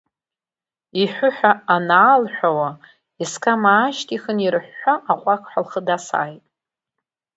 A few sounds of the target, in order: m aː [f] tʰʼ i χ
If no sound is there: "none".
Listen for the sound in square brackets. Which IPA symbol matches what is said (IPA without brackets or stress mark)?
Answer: ʃ